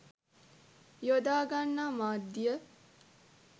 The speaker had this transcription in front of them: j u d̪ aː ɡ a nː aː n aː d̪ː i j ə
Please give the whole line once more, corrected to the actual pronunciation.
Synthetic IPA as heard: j o d̪ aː ɡ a nː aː m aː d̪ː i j ə